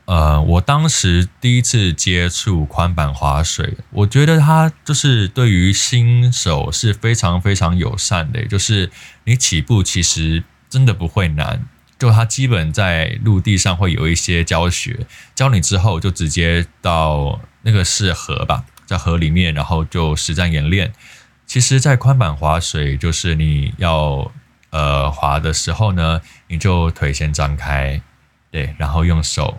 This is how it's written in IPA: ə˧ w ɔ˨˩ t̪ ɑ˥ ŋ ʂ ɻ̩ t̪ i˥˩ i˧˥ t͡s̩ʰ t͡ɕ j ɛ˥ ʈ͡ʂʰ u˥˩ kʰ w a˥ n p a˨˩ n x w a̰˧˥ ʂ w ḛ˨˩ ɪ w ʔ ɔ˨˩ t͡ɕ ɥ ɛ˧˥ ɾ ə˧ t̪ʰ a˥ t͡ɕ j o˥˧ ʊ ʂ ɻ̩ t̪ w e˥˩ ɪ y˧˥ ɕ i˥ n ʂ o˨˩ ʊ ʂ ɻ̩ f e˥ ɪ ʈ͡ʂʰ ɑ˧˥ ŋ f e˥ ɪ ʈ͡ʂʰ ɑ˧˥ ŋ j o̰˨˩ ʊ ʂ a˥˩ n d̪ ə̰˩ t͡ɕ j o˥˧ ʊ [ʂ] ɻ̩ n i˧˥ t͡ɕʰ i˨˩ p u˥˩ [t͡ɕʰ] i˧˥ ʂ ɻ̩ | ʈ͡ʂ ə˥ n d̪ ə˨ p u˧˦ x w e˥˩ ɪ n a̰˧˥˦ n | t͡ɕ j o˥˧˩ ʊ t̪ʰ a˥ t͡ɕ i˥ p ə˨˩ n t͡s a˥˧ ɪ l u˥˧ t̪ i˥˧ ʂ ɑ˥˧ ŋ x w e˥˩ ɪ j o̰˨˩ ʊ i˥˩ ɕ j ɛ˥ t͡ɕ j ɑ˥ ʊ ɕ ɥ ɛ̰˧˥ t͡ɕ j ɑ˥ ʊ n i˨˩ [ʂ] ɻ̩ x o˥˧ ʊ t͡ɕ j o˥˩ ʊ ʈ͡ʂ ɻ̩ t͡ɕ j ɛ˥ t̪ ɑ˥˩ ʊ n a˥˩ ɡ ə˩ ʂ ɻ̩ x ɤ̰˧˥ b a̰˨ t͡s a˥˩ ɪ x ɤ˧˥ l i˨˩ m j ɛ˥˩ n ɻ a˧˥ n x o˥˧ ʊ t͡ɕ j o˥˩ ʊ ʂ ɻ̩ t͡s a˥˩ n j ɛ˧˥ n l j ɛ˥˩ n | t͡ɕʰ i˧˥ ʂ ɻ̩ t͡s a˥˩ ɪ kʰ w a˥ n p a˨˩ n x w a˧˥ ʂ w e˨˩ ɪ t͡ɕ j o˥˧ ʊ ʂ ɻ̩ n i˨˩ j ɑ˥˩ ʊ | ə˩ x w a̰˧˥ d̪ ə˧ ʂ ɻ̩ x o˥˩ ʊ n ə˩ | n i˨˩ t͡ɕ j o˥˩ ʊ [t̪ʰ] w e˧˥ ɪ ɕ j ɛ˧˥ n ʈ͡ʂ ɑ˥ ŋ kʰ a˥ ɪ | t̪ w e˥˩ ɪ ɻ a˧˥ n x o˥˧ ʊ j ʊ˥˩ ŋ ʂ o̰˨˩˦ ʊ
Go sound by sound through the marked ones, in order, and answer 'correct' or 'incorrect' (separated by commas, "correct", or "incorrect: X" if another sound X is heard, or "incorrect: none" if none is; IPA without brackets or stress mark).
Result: correct, correct, incorrect: ʈ͡ʂ, correct